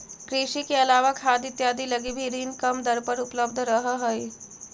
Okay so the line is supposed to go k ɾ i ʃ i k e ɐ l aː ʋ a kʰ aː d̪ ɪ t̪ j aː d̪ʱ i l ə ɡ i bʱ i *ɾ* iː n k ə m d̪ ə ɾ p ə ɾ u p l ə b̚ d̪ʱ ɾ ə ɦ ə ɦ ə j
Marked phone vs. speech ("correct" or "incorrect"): correct